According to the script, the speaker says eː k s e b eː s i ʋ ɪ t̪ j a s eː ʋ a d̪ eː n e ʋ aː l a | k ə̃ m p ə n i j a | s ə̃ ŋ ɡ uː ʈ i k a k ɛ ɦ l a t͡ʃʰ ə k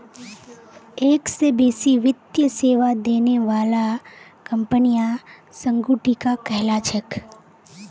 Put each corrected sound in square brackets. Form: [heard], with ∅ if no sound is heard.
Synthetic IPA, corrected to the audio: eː k s e b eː s i ʋ ɪ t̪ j [ə] s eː ʋ a d̪ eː n e ʋ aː l a | k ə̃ m p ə n i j a | s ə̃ ŋ ɡ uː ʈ i k a k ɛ ɦ l a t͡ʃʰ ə k